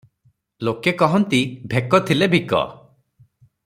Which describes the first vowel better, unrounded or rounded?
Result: rounded